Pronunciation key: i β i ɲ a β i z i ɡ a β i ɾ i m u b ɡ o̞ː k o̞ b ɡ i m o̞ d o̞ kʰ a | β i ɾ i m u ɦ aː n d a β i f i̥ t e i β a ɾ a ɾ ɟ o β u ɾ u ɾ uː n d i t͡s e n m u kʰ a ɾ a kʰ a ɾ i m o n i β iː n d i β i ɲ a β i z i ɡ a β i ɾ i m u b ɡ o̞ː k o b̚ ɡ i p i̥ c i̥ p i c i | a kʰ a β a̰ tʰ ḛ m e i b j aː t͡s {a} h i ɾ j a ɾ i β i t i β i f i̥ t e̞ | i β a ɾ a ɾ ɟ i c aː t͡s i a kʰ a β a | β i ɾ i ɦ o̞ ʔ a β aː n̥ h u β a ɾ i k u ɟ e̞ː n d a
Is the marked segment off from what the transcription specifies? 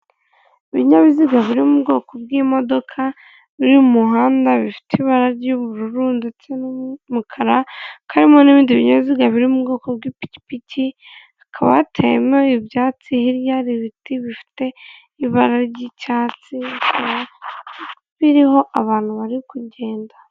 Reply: yes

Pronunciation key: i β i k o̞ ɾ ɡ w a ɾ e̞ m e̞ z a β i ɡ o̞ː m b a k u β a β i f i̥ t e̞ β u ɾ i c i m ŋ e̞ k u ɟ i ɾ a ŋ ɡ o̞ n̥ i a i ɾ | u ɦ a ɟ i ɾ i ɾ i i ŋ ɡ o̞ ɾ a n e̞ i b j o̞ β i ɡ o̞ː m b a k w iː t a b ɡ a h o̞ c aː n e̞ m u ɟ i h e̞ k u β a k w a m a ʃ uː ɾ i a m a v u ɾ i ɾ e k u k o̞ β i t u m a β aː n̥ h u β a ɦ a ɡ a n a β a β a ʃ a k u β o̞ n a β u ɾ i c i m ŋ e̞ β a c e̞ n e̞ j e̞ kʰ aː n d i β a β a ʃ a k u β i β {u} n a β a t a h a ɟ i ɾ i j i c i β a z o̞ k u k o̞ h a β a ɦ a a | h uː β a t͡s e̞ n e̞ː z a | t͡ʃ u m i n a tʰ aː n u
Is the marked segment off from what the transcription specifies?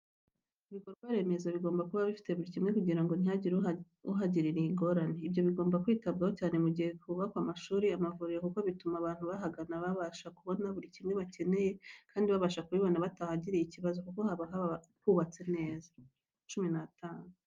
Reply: yes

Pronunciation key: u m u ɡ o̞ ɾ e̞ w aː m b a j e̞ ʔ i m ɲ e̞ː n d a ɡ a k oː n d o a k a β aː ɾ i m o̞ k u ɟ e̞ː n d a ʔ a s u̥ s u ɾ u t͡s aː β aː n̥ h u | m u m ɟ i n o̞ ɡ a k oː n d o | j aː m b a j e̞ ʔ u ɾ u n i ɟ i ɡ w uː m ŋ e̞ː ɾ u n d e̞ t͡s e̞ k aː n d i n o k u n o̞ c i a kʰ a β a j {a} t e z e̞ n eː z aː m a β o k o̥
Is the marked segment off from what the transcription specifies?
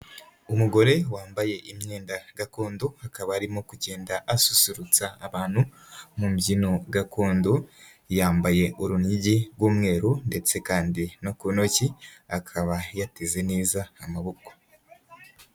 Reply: no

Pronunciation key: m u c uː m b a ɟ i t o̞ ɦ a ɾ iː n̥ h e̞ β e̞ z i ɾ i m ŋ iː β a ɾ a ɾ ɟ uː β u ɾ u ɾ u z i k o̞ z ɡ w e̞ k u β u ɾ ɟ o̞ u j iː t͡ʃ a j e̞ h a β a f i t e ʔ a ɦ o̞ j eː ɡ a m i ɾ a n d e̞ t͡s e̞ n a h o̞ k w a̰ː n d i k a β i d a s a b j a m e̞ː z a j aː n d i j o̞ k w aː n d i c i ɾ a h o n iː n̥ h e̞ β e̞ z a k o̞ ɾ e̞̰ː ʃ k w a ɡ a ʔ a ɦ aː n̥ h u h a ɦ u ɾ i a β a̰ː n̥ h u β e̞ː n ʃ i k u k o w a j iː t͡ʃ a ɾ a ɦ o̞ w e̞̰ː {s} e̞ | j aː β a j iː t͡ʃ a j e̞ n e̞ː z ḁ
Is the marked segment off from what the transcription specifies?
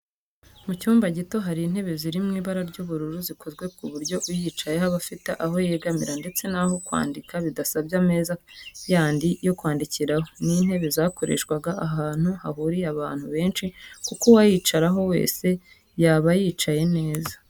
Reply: no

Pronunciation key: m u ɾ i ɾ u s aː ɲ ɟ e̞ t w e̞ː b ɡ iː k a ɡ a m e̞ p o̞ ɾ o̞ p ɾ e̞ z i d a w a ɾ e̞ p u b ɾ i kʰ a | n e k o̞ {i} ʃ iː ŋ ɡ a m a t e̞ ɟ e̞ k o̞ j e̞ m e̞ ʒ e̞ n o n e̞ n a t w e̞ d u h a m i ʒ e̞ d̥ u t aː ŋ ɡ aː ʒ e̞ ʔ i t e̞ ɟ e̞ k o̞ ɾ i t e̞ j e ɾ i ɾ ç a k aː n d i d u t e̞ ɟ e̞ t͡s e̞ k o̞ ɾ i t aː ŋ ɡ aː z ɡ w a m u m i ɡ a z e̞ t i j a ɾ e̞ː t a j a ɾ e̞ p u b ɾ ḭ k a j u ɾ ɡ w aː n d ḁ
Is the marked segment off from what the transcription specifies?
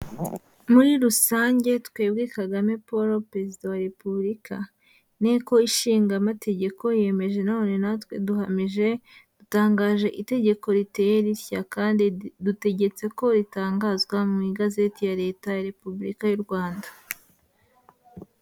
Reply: no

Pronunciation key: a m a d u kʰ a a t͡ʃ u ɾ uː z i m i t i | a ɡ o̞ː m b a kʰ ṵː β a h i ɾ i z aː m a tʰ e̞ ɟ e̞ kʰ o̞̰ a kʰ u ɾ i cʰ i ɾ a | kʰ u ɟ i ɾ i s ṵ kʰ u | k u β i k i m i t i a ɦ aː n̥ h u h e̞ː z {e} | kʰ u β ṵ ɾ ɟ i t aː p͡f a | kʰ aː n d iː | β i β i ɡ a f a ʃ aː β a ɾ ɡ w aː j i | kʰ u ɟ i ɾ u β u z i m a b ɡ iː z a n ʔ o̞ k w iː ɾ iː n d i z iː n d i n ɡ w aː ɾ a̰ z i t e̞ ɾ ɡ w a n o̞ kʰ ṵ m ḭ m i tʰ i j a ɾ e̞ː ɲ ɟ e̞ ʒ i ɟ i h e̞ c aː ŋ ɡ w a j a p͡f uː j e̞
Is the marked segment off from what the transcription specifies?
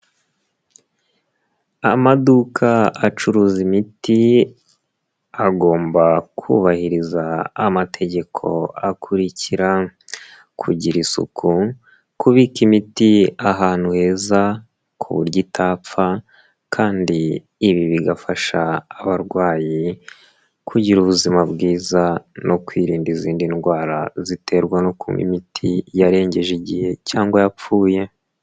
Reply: yes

